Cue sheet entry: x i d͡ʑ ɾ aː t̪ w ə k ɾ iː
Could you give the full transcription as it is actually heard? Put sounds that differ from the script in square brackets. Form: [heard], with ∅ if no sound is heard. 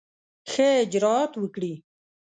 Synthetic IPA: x [e] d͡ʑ ɾ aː t̪ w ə k [ɽ] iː